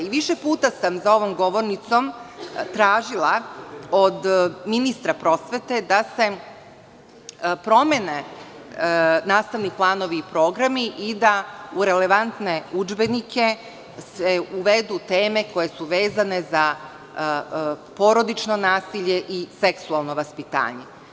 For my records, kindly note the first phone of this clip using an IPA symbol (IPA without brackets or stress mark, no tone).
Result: i